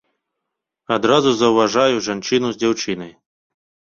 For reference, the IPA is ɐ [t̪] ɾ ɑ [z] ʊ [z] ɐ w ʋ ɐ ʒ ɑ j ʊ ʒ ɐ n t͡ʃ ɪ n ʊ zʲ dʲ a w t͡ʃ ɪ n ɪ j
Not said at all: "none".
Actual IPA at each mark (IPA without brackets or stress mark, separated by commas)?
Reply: d̪, z, z